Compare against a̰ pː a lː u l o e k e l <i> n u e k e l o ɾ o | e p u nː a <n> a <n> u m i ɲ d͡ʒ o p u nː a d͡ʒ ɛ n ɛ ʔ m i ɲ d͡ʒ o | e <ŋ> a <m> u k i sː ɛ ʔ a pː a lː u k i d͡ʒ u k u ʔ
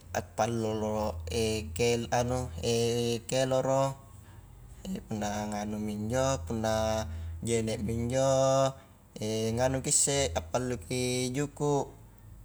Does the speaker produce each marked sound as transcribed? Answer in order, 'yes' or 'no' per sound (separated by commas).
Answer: no, no, yes, yes, no